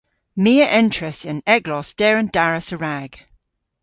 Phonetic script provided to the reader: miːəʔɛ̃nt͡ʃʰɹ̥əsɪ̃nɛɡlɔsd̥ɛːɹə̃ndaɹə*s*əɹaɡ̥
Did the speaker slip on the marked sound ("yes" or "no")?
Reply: no